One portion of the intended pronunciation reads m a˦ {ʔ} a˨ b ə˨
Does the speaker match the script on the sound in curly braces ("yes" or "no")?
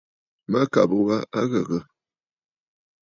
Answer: no